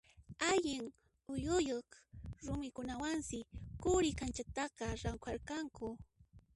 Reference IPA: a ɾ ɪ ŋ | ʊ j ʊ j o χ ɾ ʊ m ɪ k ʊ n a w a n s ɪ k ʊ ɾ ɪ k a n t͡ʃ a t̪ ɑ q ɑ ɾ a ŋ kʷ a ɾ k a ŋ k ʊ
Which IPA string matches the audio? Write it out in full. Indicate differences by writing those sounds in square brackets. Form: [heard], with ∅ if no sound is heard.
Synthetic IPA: a [ʎ] ɪ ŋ | ʊ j ʊ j o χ ɾ ʊ m ɪ k ʊ n a w a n s ɪ k ʊ ɾ ɪ k a n t͡ʃ a t̪ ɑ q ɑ ɾ a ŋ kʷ a ɾ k a ŋ k ʊ